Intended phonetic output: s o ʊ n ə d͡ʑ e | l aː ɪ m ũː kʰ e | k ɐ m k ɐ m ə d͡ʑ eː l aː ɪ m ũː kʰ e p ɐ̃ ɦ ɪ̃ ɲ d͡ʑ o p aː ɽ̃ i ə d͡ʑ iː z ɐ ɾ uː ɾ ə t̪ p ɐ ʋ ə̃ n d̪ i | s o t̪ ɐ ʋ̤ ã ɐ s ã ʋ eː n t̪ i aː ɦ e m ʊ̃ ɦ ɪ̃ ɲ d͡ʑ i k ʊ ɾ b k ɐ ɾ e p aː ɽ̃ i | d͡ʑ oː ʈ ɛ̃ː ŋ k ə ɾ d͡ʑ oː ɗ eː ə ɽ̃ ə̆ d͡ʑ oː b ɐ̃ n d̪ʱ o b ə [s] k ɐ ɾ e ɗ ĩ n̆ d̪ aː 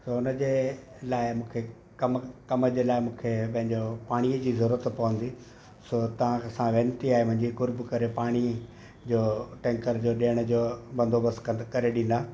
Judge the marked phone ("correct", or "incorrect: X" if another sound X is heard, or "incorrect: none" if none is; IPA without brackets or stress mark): correct